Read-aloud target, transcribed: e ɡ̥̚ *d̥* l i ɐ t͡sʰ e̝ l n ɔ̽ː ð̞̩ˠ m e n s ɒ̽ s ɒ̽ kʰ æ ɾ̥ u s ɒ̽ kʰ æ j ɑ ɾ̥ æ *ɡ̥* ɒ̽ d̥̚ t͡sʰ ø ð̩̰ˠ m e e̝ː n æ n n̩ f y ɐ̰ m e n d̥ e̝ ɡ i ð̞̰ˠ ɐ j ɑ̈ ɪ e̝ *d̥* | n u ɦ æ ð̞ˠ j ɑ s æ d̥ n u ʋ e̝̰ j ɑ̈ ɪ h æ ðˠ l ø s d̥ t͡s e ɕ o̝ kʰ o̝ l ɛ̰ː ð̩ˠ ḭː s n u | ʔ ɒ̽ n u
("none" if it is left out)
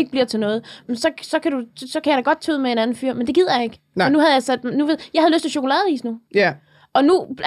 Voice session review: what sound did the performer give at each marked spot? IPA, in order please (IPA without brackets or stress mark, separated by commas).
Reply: b̥, ɡ̥, ɡ̥